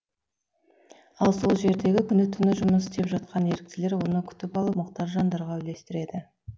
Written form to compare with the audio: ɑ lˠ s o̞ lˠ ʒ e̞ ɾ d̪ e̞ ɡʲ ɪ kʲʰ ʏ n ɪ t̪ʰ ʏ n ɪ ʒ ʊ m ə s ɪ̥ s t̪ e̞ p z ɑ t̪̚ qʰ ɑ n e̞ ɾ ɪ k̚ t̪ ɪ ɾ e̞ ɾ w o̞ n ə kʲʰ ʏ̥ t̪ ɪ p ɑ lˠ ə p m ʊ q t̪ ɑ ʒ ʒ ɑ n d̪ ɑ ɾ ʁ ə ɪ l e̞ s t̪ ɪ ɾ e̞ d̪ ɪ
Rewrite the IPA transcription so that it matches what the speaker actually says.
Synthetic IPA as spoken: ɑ lˠ s o̞ lˠ ʒ e̞ ɾ d̪ e̞ ɡʲ ɪ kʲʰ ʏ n ɪ t̪ʰ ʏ n ɪ ʒ ʊ m ə s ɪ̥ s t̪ e̞ p ʒ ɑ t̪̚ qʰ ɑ n e̞ ɾ ɪ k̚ t̪ ɪ l e̞ ɾ w o̞ n ə kʲʰ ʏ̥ t̪ ɪ p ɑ lˠ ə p m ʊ q t̪ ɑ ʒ ʒ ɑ n d̪ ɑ ɾ ʁ ɑ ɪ l e̞ s t̪ ɪ ɾ e̞ d̪ ɪ